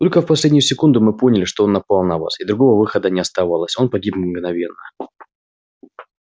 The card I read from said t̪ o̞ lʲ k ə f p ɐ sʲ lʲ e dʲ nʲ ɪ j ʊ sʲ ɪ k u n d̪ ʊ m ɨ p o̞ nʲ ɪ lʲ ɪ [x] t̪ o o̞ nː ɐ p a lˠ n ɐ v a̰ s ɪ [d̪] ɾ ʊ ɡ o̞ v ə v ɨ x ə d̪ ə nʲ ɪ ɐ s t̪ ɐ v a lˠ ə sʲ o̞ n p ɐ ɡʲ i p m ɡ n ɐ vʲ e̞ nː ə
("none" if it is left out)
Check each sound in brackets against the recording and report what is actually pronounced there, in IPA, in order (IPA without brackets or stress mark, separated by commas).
ʂ, d̪